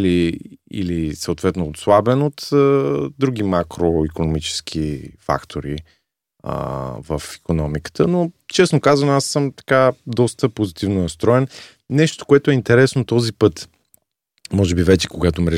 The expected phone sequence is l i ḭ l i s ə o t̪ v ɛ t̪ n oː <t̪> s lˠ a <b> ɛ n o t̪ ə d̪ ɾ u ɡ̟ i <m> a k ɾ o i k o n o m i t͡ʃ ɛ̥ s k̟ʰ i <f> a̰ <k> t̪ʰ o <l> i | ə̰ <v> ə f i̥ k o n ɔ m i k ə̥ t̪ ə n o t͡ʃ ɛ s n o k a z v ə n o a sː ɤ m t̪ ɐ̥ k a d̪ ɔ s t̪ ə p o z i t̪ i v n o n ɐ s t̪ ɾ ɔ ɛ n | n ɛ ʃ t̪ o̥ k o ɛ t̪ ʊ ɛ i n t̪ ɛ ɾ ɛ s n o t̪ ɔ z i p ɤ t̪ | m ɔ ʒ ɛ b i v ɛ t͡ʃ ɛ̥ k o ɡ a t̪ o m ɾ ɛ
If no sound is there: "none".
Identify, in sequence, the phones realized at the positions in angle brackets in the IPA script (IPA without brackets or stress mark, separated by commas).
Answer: t̪, b, m, f, k, ɾ, v